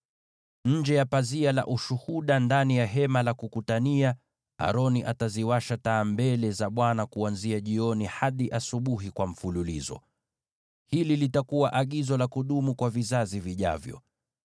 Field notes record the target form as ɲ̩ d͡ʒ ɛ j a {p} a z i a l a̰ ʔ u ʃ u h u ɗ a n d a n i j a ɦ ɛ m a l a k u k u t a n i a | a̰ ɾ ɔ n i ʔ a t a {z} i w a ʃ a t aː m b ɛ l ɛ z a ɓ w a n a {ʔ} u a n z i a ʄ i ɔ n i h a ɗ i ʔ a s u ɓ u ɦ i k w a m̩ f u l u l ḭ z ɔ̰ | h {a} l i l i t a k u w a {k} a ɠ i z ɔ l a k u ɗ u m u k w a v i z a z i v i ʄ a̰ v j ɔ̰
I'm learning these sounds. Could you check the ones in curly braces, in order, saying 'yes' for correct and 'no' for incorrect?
yes, yes, no, no, no

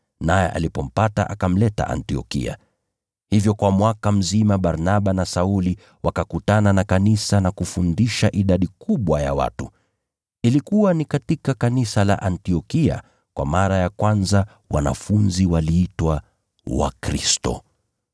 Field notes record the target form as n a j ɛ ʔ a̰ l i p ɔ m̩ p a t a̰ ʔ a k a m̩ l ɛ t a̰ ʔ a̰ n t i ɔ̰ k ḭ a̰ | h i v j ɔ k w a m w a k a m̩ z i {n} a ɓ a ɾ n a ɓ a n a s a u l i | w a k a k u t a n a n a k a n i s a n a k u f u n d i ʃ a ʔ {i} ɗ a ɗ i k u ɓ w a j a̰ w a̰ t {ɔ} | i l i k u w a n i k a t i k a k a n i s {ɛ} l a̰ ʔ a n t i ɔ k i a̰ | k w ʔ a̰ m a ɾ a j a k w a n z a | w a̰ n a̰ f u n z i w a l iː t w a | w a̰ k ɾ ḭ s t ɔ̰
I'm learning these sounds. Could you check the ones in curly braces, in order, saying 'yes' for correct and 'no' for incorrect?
no, yes, no, no

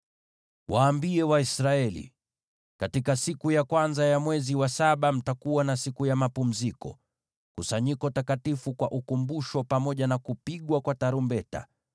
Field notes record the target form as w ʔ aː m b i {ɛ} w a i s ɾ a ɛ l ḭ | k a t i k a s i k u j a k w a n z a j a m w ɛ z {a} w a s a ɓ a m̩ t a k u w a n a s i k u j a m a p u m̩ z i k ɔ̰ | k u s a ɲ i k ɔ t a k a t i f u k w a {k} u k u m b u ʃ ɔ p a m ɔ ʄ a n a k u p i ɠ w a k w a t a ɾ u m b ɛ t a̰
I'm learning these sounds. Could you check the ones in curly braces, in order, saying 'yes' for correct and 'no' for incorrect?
yes, no, no

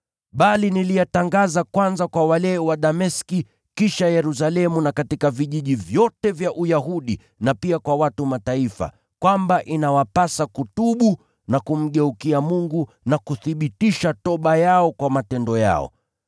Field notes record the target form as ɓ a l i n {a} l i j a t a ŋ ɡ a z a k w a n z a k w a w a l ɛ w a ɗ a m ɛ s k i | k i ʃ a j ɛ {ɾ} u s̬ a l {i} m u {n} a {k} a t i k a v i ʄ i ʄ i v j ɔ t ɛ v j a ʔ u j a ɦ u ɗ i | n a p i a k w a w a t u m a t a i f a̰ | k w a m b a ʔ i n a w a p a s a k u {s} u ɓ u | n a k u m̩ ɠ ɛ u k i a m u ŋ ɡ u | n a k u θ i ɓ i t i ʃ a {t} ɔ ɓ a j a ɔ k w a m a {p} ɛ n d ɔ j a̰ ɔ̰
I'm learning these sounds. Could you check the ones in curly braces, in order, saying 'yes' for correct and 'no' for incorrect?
no, yes, no, yes, yes, no, yes, no

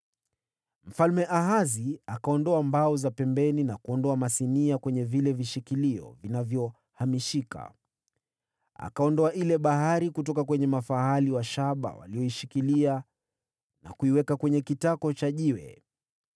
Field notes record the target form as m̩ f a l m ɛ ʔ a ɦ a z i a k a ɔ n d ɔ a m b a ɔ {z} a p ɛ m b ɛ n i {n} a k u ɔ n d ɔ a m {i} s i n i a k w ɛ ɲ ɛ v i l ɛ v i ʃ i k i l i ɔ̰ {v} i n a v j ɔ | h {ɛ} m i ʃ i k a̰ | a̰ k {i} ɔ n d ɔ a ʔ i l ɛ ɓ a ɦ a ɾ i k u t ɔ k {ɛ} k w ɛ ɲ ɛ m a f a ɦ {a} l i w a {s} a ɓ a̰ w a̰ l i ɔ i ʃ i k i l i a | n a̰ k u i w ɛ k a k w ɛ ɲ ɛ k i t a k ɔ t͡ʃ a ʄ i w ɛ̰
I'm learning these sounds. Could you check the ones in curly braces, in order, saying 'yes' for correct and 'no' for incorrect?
yes, yes, no, yes, no, no, no, yes, no

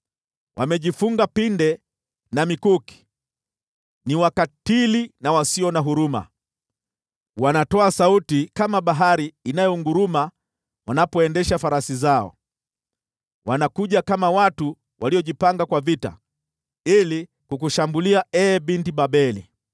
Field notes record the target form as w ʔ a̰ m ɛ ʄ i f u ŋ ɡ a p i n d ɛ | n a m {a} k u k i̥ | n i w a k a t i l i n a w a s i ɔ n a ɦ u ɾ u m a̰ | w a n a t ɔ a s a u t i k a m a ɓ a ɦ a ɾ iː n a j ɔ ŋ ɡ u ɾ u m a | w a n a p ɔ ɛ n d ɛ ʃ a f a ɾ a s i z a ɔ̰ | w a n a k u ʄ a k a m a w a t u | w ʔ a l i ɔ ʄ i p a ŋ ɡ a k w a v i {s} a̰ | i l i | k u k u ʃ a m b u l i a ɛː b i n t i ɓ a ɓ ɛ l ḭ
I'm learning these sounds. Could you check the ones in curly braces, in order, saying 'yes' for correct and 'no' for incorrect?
no, no

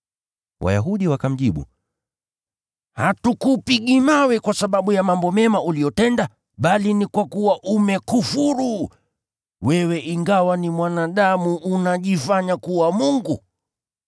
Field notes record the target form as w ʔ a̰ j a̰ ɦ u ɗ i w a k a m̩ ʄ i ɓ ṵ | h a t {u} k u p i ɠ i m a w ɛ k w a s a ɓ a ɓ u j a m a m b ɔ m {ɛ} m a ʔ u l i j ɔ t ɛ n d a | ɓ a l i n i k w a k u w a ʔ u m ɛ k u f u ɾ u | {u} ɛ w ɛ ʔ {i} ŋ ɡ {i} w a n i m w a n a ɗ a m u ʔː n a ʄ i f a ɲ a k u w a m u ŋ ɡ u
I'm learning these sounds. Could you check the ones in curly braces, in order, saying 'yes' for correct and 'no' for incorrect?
yes, yes, no, yes, no

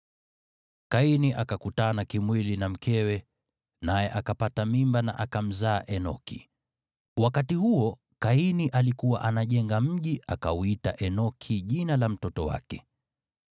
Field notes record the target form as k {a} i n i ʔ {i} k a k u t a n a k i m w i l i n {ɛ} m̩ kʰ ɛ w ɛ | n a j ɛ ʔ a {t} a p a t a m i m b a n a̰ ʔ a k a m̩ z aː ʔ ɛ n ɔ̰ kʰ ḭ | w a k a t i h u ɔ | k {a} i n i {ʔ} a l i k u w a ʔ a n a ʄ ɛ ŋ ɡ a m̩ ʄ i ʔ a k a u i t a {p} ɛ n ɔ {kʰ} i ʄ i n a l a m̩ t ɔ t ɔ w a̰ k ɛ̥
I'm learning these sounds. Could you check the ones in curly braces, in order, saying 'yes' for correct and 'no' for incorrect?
yes, no, no, no, yes, yes, no, yes

